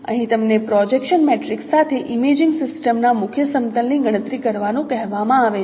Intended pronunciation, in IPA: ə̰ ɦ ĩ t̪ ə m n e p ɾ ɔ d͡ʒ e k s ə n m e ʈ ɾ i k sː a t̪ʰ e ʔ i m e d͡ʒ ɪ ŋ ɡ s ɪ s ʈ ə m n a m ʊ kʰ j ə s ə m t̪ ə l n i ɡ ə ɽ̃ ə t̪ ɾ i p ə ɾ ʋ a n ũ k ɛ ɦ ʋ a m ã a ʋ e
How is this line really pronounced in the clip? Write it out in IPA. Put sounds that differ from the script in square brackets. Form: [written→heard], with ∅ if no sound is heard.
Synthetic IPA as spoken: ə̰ ɦ ĩ t̪ ə m n e p ɾ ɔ d͡ʒ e k [s→ʃ] ə n m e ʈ ɾ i k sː a t̪ʰ e ʔ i m e d͡ʒ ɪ ŋ ɡ s ɪ s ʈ ə m n a m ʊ kʰ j ə s ə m t̪ ə l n i ɡ ə ɽ̃ ə t̪ ɾ i [p→k] ə ɾ ʋ a n ũ k ɛ ɦ ʋ a m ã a ʋ e